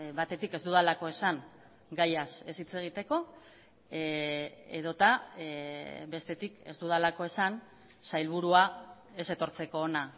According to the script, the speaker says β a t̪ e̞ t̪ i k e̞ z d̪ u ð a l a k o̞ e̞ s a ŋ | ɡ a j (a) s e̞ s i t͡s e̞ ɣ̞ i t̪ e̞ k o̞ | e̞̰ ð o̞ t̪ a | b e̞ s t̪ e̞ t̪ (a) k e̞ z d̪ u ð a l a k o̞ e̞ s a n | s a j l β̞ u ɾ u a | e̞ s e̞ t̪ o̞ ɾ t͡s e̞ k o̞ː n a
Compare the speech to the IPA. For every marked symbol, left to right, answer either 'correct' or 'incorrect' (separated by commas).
correct, incorrect